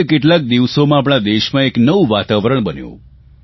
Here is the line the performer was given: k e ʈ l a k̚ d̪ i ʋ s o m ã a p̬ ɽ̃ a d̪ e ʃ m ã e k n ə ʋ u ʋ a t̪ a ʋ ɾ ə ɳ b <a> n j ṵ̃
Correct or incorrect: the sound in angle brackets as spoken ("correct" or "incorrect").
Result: incorrect